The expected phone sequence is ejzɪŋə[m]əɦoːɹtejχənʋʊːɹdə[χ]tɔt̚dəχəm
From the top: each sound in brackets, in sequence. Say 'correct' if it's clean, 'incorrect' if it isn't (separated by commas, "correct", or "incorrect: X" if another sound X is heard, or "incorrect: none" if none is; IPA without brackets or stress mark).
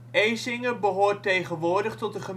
incorrect: b, correct